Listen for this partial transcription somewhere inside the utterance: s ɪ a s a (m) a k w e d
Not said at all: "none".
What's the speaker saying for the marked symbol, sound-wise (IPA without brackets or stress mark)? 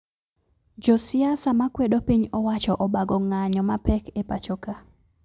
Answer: m